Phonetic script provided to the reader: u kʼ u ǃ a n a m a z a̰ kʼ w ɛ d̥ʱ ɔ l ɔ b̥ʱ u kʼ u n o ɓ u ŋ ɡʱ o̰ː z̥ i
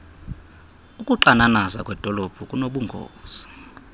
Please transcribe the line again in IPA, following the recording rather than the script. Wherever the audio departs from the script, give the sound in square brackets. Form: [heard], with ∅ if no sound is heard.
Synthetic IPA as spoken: u kʼ u ǃ a n a [n] a z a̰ kʼ w ɛ d̥ʱ ɔ l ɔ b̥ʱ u kʼ u n o ɓ u ŋ ɡʱ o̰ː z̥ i